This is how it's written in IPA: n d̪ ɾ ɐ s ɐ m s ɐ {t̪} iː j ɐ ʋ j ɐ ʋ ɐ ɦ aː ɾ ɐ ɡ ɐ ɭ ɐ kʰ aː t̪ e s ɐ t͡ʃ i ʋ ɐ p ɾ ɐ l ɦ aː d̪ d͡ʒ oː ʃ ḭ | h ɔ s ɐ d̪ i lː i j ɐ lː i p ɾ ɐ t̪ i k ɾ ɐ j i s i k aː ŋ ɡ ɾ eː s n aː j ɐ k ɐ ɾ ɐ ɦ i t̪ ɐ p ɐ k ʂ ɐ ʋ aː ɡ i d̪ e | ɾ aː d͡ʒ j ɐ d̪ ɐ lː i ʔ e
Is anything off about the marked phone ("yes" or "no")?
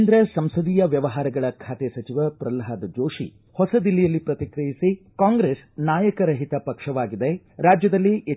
yes